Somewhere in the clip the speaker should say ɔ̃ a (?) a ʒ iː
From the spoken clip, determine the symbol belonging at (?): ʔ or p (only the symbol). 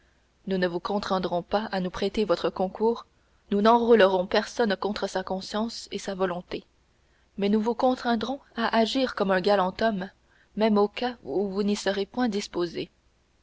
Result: ʔ